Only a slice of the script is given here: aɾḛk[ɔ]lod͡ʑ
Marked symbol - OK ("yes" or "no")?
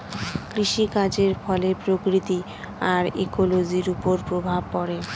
no